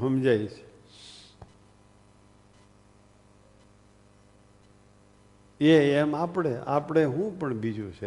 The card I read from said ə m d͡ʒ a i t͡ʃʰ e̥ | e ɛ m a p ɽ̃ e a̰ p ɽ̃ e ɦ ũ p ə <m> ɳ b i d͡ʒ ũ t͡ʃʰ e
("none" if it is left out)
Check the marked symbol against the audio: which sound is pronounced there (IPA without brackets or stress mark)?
none